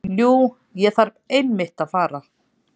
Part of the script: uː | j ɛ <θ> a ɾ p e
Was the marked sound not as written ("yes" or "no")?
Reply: no